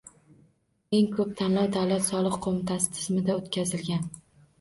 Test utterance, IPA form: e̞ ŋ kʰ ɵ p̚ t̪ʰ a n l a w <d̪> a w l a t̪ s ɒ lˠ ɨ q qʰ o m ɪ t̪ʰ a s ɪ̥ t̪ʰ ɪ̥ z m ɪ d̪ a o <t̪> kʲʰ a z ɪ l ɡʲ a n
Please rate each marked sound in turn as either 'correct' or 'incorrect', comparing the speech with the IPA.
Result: correct, correct

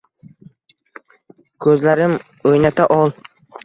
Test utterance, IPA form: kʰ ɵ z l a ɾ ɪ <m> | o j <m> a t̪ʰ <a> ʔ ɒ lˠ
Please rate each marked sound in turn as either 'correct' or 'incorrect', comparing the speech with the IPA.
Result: correct, incorrect, correct

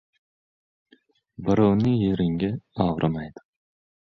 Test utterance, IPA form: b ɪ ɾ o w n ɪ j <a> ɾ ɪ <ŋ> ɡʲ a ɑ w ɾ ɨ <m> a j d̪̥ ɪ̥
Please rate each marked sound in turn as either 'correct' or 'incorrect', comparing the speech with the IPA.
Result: incorrect, correct, correct

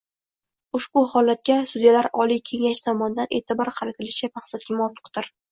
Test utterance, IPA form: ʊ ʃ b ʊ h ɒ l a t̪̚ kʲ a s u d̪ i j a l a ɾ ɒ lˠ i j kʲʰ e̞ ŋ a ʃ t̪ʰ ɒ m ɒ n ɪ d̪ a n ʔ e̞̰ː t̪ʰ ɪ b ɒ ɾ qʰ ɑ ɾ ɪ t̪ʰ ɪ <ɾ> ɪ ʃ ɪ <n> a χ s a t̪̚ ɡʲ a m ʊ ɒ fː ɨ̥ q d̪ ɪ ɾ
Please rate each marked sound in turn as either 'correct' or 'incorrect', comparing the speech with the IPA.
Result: incorrect, incorrect

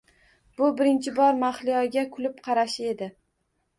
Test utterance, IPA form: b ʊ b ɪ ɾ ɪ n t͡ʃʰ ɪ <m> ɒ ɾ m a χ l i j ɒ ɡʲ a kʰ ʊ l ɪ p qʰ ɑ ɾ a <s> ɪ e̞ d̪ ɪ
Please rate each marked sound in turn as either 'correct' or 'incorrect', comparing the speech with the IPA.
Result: incorrect, incorrect

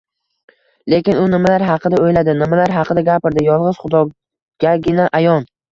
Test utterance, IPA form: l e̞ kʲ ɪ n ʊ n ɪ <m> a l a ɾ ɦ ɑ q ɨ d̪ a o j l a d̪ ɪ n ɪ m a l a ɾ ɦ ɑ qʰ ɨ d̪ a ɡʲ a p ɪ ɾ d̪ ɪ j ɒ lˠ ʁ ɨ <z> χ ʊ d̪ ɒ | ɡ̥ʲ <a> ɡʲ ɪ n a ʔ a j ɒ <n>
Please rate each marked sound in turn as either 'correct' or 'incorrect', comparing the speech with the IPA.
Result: correct, correct, correct, correct

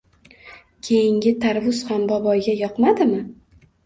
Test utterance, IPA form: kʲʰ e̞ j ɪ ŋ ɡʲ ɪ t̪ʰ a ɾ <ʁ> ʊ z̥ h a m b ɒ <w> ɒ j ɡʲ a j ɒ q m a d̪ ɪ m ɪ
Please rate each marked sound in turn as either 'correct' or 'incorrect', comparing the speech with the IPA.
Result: incorrect, incorrect

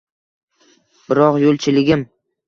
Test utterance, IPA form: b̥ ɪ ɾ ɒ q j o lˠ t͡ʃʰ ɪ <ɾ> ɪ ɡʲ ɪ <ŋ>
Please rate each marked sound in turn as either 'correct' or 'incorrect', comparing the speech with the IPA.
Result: incorrect, incorrect

